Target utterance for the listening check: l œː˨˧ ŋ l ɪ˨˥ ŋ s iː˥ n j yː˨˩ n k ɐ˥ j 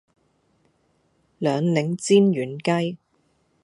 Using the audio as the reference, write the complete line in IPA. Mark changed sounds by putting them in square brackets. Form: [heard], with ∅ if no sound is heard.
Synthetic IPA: l œː˨˧ ŋ l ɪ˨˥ ŋ [t͡s] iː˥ n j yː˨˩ n k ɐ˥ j